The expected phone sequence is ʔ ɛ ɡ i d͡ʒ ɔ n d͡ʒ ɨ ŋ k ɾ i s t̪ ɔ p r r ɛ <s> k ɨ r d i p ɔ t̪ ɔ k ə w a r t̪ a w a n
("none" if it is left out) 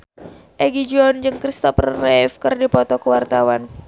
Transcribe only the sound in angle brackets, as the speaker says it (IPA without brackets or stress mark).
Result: f